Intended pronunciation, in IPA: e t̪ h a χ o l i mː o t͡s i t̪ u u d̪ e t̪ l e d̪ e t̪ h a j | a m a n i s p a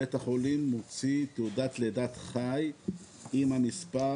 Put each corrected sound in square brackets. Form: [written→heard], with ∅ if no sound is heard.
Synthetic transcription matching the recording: e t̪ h a χ o l i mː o t͡s i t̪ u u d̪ [e→a] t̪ l e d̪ [e→a] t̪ [h→χ] a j | [a→i] m a [n→m] i s p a